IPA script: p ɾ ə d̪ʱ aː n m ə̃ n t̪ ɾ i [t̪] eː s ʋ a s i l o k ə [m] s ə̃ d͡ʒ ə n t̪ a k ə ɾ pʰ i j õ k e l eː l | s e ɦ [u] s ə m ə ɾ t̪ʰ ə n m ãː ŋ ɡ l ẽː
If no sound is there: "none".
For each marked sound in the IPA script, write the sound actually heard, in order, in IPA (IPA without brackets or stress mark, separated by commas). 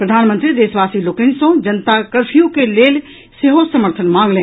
d̪, n, o